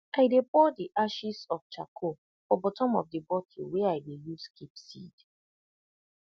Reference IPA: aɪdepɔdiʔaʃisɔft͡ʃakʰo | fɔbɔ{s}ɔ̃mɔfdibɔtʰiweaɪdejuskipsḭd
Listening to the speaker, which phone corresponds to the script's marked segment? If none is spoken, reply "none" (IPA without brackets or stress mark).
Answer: t